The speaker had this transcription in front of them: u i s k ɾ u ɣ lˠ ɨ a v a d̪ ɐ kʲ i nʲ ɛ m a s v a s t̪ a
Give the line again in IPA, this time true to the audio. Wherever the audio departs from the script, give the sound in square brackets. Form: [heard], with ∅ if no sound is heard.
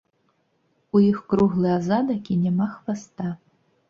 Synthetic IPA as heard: u i [x] k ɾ u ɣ lˠ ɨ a [z] a d̪ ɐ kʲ i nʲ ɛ m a [x] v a s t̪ a